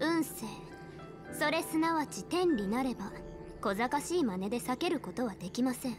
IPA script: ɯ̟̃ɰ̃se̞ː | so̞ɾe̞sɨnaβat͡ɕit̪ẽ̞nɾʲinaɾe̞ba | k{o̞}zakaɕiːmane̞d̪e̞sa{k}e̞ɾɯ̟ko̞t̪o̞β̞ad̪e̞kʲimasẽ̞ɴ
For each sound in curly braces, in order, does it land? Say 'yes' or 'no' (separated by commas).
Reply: yes, yes